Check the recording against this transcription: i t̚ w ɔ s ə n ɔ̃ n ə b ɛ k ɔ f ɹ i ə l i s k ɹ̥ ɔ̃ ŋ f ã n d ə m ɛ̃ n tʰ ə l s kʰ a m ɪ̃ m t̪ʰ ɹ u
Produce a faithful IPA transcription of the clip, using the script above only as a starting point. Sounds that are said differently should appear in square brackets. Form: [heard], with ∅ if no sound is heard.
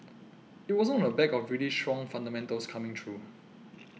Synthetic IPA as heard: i t̚ w ɔ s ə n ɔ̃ n ə b ɛ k ɔ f ɹ i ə l i s [t] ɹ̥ ɔ̃ ŋ f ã n d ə m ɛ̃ n [t] ə l s kʰ a m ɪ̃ [ŋ] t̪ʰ ɹ u